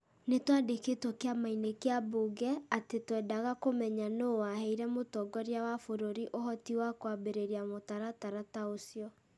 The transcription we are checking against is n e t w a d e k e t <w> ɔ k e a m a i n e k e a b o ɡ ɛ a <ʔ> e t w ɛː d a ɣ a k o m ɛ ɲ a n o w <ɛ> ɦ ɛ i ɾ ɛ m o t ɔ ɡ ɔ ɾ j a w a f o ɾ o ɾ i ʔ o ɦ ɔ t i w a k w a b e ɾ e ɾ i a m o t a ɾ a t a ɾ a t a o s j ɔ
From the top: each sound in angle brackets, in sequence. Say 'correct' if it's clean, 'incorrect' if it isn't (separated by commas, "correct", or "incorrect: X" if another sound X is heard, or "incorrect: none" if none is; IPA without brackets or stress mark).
correct, incorrect: t, incorrect: a